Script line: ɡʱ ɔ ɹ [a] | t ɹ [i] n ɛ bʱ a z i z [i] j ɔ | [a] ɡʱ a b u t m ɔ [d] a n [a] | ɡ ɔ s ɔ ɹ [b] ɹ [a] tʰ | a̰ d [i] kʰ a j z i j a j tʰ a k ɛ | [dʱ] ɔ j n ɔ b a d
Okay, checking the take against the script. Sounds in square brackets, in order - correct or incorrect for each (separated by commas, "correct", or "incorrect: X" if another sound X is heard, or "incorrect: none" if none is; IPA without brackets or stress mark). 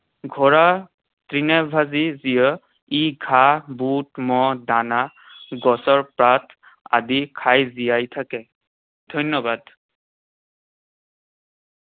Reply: correct, correct, correct, incorrect: i, correct, correct, incorrect: p, correct, correct, correct